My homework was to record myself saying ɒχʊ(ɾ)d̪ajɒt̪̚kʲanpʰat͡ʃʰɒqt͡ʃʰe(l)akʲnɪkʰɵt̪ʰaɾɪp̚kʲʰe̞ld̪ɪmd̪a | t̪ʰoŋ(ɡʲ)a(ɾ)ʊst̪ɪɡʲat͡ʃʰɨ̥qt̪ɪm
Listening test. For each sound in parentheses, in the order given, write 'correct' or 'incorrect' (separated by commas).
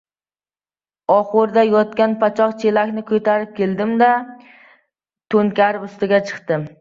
correct, correct, incorrect, correct